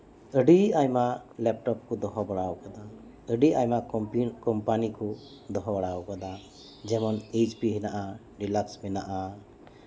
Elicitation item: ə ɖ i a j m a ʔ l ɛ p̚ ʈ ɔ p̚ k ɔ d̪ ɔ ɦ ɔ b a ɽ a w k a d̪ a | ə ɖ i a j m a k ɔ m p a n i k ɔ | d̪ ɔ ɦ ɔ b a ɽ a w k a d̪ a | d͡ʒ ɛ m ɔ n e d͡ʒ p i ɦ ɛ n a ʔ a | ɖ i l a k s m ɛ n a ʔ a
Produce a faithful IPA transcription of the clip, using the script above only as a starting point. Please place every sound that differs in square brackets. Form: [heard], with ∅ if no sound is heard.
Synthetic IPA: ə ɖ i a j m a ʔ l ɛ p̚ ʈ ɔ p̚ k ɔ d̪ ɔ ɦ ɔ b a ɽ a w k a d̪ a | ə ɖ i a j m a k ɔ m p a n i k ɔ | d̪ ɔ ɦ ɔ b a ɽ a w k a d̪ a | d͡ʒ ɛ m ɔ n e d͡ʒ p i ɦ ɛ n a ʔ a | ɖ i l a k s m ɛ n a ʔ a